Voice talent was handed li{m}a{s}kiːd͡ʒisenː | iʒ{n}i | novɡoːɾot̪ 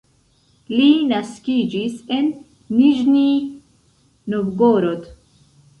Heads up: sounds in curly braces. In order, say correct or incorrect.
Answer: incorrect, correct, correct

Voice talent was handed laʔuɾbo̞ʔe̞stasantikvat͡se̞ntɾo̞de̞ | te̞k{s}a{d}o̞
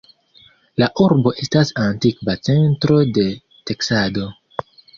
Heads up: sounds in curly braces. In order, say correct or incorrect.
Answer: correct, correct

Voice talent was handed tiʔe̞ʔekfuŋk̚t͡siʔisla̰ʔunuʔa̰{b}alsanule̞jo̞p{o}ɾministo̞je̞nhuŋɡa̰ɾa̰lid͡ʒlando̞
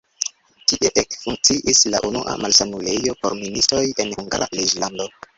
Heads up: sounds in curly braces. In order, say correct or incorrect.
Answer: incorrect, correct

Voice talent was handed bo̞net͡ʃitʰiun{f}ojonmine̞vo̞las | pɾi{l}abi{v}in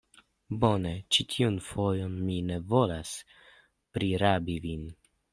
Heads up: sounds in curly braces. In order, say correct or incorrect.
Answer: correct, incorrect, correct

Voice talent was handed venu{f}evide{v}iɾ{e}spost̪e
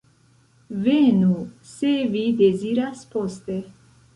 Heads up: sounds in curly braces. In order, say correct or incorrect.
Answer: incorrect, incorrect, incorrect

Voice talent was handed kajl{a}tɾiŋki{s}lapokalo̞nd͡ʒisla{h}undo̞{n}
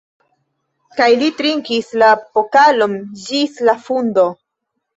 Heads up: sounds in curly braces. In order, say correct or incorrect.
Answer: incorrect, correct, incorrect, incorrect

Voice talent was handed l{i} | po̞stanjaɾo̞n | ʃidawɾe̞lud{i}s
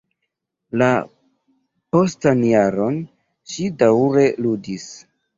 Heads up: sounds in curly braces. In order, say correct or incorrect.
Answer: incorrect, correct

